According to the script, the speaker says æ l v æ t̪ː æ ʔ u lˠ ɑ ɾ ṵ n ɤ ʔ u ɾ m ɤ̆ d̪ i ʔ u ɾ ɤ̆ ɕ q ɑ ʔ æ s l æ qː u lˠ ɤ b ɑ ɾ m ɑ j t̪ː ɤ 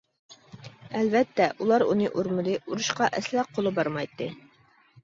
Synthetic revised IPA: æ l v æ t̪ː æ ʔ u lˠ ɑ ɾ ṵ n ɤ ʔ u ɾ m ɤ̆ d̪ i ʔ u ɾ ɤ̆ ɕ q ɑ ʔ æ s l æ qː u lˠ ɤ b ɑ ɾ m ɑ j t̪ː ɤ